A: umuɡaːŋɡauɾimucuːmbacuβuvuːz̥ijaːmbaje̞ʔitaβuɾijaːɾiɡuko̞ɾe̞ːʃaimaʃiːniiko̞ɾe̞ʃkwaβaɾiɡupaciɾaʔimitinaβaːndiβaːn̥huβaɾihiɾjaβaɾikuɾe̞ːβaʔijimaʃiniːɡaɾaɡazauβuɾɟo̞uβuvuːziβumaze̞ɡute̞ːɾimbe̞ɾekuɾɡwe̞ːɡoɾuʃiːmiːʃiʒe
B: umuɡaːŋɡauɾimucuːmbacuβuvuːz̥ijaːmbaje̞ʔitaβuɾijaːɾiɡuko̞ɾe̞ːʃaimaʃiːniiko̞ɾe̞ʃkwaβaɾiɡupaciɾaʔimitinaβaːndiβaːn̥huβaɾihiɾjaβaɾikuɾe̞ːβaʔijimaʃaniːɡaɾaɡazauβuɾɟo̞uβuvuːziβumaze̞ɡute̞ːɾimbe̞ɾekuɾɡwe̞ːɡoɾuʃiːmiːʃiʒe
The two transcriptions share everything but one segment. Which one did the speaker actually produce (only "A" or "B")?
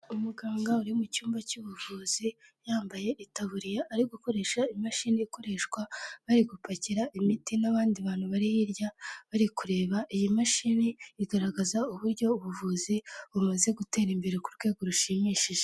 A